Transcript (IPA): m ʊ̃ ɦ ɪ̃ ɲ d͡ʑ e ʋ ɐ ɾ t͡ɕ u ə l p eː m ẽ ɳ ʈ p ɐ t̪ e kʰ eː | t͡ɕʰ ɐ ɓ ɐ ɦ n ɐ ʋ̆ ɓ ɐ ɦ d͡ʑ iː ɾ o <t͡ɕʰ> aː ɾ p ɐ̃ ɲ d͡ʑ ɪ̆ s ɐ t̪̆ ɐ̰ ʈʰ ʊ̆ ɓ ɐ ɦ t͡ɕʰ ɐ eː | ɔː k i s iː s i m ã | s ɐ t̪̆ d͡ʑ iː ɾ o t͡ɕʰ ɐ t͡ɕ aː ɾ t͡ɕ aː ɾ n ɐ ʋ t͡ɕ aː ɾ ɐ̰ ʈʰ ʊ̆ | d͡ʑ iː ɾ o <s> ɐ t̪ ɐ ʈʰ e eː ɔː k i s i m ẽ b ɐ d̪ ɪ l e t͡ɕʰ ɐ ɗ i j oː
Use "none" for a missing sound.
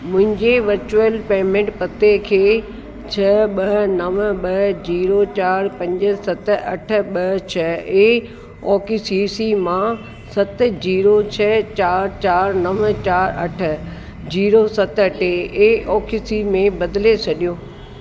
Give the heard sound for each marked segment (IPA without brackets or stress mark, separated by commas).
t͡ɕ, s